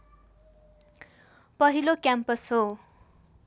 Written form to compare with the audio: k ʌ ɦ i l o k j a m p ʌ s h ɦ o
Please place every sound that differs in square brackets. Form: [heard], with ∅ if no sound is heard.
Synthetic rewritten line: [p] ʌ ɦ i l o k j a m p ʌ s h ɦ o